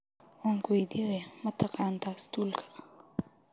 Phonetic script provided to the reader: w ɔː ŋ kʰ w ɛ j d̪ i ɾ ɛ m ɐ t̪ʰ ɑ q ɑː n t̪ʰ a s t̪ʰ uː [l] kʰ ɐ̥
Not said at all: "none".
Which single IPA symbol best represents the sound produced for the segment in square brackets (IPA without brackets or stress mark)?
l